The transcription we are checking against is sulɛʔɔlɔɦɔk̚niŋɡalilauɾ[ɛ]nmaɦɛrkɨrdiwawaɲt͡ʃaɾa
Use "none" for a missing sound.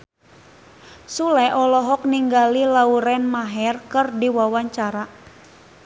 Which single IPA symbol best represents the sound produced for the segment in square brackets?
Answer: ɛ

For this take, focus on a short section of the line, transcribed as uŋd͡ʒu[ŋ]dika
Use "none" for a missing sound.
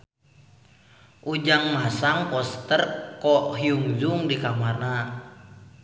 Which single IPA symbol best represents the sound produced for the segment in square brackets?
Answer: ŋ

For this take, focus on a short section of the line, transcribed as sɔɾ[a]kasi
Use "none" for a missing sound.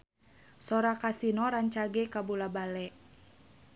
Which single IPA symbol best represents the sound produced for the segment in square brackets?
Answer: a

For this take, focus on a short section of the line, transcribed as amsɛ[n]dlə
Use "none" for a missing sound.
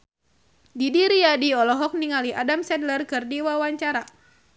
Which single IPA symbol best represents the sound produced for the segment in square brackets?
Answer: none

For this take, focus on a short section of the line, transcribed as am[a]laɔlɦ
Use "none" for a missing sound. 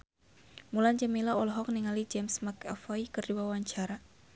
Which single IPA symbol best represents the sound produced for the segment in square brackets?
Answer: i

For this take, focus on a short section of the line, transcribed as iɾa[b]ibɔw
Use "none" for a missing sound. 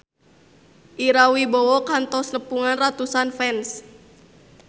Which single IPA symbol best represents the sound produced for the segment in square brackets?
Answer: w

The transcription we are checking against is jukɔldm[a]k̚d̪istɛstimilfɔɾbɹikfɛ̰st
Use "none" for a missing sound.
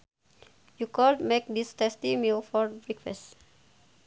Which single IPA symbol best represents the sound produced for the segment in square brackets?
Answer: e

